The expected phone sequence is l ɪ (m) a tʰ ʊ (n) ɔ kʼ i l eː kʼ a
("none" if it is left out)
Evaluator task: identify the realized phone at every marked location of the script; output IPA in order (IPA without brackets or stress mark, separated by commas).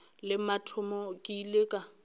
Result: m, m